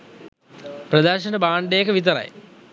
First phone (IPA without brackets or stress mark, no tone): p